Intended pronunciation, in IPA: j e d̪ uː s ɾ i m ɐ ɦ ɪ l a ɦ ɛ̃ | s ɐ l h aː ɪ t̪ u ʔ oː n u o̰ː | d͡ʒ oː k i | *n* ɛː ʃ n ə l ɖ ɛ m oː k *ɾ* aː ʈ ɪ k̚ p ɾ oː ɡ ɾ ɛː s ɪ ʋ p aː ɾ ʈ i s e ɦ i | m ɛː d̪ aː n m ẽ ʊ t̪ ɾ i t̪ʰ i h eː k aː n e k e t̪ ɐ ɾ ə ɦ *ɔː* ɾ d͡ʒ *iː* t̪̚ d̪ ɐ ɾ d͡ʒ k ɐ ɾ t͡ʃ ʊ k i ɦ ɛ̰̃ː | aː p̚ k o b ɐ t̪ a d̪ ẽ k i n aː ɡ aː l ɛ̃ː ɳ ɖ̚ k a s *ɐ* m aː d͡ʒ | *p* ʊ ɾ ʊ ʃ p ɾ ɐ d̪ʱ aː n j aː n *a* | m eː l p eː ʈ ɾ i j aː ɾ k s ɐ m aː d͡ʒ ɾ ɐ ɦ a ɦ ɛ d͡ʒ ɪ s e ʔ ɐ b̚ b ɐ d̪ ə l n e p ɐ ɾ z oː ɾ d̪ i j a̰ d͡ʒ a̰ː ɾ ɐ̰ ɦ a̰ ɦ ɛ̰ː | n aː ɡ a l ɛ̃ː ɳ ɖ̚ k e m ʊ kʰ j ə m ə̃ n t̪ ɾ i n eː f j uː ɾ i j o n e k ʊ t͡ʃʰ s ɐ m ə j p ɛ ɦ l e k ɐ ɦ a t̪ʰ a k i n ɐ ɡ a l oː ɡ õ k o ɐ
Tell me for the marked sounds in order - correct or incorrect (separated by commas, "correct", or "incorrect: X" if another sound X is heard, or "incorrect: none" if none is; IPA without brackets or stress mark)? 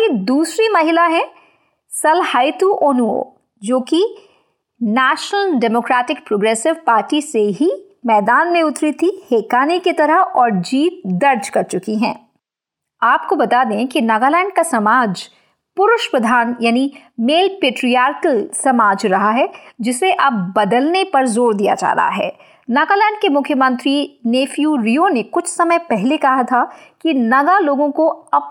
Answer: correct, correct, correct, correct, correct, correct, incorrect: i